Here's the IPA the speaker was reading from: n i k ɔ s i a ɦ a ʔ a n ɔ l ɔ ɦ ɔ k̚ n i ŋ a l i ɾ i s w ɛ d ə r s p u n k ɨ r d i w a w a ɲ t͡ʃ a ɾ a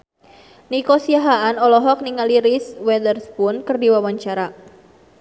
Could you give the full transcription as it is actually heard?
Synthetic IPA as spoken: n i k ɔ s i a ɦ a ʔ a n ɔ l ɔ ɦ ɔ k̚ n i ŋ a l i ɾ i s w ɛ d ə r s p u n k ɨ r d i w a w a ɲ t͡ʃ a ɾ a